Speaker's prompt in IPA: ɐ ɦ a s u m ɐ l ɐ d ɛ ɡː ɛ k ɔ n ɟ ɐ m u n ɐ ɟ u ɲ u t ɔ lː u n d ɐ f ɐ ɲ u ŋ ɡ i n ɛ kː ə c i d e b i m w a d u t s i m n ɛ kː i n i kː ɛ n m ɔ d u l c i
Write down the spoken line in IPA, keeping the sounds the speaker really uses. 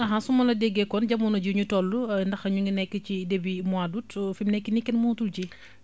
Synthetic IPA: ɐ ɦ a s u m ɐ l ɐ d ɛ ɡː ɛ k ɔ n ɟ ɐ m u n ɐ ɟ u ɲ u t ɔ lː u n d ɐ x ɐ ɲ u ŋ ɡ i n ɛ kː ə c i d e b i m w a d u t f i m n ɛ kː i n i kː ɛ n m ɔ t u l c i